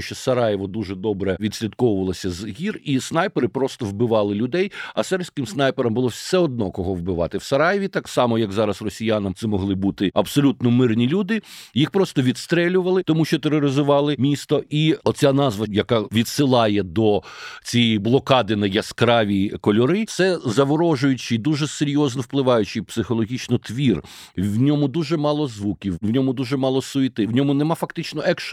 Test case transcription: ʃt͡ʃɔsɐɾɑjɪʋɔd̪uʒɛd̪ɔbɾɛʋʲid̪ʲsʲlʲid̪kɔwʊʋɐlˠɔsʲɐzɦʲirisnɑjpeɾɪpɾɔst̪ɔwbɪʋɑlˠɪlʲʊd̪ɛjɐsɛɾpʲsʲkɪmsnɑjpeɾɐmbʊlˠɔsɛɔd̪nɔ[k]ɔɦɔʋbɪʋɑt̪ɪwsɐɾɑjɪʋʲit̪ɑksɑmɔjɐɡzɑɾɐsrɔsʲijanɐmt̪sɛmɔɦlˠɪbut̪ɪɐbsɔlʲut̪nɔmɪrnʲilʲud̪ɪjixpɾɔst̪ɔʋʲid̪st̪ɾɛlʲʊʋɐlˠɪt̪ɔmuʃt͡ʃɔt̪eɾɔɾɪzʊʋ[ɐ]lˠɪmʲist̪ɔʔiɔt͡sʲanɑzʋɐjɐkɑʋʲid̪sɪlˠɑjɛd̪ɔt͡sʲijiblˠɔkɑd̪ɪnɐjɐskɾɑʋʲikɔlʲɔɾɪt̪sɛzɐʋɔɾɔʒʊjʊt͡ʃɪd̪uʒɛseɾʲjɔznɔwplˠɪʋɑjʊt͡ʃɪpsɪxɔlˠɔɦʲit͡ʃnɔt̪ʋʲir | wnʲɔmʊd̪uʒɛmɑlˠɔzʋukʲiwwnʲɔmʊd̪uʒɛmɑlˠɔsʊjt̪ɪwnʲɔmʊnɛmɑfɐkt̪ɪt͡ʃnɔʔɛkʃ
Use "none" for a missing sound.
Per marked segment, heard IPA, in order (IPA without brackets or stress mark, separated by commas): k, ɑ